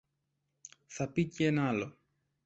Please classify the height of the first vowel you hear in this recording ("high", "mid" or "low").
low